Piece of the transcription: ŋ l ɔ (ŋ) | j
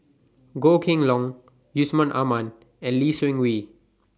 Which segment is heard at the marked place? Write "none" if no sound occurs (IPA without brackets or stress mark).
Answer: ŋ